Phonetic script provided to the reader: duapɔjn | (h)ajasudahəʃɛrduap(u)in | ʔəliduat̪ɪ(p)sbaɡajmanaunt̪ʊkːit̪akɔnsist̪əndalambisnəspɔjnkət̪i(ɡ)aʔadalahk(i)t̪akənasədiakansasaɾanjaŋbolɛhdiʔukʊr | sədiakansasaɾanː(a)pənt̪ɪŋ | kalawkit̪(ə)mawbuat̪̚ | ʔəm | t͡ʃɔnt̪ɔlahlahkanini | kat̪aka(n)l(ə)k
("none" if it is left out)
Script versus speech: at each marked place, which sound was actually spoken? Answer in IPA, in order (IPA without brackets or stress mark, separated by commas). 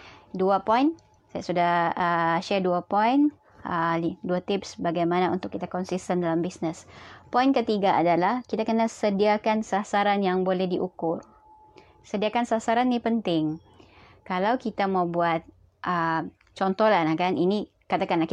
s, ɔ, p, ɡ, i, i, a, n, a